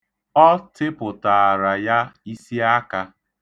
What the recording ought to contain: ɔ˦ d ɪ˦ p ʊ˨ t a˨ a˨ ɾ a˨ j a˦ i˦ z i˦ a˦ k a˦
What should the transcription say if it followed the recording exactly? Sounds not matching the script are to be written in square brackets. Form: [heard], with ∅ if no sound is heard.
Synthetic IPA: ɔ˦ [t] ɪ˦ p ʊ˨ t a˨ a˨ ɾ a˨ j a˦ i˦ [s] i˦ a˦ k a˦